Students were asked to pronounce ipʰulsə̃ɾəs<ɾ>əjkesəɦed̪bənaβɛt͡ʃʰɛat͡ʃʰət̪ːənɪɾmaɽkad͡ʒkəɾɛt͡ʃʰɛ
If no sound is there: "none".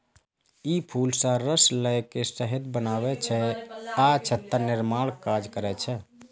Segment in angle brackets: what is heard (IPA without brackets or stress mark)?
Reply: l